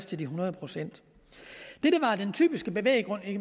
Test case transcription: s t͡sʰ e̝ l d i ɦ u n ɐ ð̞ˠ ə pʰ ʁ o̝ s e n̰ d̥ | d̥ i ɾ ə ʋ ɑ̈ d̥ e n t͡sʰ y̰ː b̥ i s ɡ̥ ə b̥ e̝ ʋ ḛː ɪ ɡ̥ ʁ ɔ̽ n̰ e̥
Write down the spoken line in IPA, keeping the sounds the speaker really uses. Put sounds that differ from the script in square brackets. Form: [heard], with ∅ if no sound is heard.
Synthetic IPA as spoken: s t͡sʰ e̝ l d i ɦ u n ɐ ð̞ˠ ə pʰ ʁ o̝ s e n̰ d̥ | d̥ [e] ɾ ə ʋ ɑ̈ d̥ e n t͡sʰ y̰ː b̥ i s ɡ̥ ə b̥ e̝ ʋ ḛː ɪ ɡ̥ ʁ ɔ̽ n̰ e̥